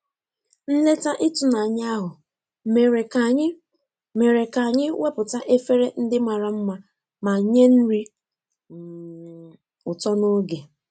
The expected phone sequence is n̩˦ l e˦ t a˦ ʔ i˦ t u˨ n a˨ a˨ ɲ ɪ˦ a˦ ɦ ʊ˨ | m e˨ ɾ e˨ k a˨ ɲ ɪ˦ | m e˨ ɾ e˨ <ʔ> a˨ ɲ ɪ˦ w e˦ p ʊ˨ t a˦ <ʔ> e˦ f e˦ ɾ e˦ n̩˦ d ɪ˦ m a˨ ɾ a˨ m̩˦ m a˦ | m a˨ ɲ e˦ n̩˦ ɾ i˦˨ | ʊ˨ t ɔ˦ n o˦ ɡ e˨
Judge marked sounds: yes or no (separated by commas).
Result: no, yes